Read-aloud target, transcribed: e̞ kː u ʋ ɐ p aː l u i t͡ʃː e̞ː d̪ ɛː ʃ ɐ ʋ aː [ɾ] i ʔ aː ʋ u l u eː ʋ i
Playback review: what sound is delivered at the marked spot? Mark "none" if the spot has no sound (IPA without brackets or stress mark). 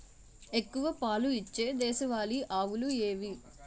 l